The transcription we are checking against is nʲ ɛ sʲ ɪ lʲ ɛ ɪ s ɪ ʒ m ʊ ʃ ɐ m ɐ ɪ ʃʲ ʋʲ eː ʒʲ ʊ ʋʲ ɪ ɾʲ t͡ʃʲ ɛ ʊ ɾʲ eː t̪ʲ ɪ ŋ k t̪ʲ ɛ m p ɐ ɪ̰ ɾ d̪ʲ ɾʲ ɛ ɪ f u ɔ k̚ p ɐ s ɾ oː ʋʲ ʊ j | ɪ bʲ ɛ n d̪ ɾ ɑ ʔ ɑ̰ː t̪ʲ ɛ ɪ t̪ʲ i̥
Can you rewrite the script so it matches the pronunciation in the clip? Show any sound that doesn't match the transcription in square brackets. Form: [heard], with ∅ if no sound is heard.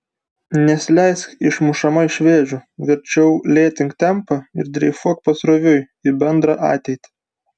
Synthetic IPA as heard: nʲ ɛ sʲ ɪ lʲ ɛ ɪ s ɪ [ʃ] m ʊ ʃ ɐ m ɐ ɪ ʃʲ ʋʲ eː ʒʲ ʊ ʋʲ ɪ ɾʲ t͡ʃʲ ɛ ʊ [lʲ] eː t̪ʲ ɪ ŋ k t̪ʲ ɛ m p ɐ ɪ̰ ɾ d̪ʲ ɾʲ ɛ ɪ f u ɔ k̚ p ɐ s ɾ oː ʋʲ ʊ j | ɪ bʲ ɛ n d̪ ɾ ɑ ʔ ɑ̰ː t̪ʲ ɛ ɪ t̪ʲ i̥

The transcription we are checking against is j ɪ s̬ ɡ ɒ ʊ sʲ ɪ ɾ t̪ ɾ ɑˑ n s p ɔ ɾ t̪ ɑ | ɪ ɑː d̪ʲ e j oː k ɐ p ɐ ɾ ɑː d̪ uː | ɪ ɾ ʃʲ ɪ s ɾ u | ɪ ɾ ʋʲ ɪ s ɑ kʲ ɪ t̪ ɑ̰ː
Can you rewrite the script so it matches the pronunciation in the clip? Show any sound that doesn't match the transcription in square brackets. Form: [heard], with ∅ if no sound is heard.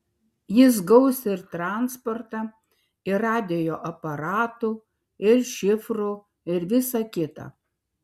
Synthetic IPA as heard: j ɪ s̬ ɡ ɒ ʊ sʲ ɪ ɾ t̪ ɾ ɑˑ n s p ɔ ɾ t̪ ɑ | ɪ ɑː d̪ʲ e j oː [ʔ] ɐ p ɐ ɾ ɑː [t̪] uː | ɪ ɾ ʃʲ ɪ [f] ɾ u | ɪ ɾ ʋʲ ɪ s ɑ kʲ ɪ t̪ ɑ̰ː

